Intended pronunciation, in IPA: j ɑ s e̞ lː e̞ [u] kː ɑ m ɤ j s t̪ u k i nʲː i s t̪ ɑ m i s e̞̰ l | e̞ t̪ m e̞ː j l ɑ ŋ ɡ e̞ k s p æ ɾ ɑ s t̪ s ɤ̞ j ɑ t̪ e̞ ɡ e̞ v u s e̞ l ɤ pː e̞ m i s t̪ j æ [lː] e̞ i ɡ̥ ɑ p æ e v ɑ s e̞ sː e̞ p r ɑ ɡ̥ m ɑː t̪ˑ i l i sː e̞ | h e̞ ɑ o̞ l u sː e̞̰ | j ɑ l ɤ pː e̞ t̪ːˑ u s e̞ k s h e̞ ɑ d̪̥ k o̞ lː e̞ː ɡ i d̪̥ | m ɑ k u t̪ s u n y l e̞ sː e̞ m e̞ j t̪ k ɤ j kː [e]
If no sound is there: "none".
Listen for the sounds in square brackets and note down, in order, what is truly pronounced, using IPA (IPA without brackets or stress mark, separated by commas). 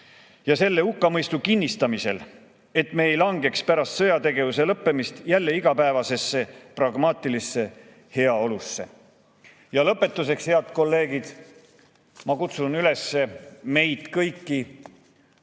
u, lː, i